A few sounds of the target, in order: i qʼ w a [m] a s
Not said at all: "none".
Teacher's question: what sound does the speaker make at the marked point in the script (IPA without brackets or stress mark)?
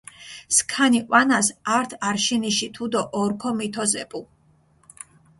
n